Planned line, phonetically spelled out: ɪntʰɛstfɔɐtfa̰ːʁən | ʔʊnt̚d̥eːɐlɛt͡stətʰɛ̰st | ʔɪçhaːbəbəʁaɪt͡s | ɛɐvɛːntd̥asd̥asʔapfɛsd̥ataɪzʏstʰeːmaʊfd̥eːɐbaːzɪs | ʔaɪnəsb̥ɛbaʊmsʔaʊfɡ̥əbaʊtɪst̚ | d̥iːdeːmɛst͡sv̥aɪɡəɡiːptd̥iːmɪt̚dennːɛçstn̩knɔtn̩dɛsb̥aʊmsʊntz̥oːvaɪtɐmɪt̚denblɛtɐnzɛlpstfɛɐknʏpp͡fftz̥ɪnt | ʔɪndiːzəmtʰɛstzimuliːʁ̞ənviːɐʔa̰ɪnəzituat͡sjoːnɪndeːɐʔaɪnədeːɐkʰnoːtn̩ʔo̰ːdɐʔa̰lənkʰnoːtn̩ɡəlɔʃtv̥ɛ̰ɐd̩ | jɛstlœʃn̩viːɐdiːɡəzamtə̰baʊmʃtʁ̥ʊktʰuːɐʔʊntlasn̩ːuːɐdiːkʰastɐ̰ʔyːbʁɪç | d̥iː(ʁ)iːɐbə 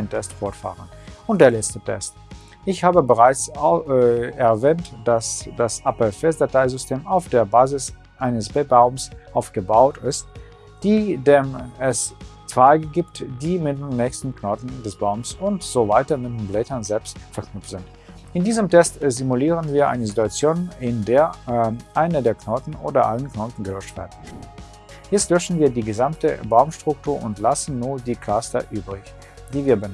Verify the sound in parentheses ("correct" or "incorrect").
incorrect